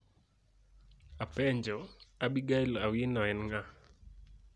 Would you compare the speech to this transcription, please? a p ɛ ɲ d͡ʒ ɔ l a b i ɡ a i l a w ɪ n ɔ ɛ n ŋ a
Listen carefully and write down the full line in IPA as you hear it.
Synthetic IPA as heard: a p ɛ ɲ d͡ʒ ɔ a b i ɡ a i l a w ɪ n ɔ ɛ n ŋ a